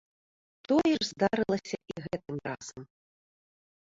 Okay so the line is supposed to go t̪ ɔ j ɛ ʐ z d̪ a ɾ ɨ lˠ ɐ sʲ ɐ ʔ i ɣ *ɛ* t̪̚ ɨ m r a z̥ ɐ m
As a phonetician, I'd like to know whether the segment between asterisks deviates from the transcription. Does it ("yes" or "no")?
no